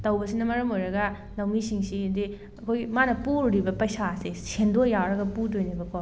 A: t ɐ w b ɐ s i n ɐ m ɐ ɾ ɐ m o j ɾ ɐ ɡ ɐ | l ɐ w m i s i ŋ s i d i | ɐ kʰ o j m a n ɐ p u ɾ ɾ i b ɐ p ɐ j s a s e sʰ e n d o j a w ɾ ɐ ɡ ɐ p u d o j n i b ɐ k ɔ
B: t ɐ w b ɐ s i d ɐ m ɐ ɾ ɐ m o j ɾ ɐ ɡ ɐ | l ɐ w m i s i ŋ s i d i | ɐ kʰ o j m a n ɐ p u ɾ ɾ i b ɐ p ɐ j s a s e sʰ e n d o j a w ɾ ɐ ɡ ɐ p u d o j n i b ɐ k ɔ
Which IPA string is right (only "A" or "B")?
A